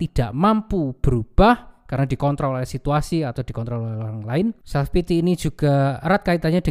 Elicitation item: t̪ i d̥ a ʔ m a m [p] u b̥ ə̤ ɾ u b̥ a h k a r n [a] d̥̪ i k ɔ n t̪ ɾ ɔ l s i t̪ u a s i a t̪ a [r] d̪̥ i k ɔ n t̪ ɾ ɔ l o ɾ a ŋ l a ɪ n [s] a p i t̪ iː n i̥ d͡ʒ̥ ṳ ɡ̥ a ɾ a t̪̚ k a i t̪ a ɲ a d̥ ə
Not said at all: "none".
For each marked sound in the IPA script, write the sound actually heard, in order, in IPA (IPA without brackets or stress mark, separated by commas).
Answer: p, a, none, s